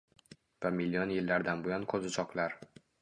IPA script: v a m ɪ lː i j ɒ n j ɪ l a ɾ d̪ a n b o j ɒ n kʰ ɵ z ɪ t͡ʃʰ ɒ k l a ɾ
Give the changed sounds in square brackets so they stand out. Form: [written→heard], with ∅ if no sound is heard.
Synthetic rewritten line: v a m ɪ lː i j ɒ n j ɪ [l→lː] a ɾ d̪ a n b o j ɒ n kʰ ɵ z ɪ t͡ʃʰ ɒ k l a ɾ